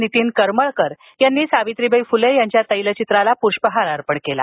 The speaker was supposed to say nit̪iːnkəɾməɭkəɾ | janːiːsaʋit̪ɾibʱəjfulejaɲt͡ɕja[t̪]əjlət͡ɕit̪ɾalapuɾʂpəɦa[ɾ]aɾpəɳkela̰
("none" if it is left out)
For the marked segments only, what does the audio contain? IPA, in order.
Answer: t̪, ɾ

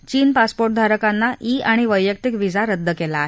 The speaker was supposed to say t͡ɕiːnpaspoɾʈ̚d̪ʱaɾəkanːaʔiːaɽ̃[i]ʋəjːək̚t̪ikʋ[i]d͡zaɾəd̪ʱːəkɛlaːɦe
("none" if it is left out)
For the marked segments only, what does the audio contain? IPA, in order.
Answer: i, i

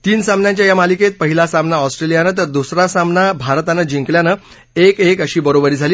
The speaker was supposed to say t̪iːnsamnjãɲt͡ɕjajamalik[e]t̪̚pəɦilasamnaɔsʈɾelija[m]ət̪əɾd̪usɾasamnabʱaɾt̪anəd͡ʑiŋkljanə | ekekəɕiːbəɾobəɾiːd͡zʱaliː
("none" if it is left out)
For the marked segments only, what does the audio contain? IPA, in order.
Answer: e, n

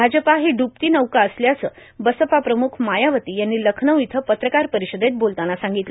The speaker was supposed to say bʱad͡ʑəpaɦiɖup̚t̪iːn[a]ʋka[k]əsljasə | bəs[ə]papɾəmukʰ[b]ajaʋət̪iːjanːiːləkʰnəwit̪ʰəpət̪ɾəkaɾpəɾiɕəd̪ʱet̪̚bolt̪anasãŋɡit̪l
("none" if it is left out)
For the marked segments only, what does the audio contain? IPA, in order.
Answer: ə, none, ə, m

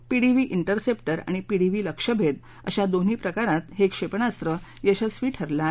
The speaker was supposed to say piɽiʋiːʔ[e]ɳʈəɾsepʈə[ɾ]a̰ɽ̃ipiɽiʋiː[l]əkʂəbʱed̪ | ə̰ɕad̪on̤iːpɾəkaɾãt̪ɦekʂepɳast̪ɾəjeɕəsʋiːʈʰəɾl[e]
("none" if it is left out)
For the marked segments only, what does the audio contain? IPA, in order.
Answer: i, ɾ, l, a

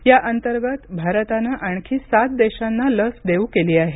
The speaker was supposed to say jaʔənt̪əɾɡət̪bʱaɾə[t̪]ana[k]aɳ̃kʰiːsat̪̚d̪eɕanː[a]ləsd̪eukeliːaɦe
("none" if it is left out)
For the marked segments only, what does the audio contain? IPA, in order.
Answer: t̪, ʔ, a

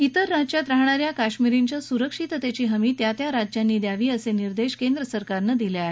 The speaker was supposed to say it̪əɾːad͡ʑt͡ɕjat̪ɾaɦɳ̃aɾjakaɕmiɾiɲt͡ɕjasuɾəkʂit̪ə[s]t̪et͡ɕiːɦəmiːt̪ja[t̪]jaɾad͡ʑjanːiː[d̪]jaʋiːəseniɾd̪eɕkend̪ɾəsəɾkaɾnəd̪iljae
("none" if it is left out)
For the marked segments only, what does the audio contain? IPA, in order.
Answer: none, t̪, d̪

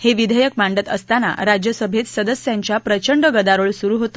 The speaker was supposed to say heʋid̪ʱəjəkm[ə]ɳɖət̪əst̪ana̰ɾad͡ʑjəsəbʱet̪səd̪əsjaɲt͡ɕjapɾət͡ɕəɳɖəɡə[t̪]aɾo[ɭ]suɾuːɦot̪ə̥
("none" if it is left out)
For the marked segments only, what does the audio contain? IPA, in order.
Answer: a, d̪, ɭ

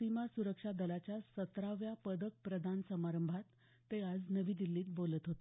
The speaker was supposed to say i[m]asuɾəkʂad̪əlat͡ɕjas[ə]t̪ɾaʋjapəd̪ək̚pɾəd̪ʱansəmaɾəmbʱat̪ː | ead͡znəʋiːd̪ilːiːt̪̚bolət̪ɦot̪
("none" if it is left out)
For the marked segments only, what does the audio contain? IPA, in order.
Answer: m, ə

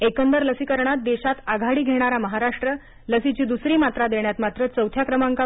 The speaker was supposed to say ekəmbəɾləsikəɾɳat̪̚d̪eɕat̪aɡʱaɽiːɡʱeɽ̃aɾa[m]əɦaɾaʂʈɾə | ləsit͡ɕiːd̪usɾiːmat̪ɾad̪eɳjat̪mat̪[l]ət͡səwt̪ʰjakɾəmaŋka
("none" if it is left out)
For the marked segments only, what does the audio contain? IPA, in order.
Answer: m, ɾ

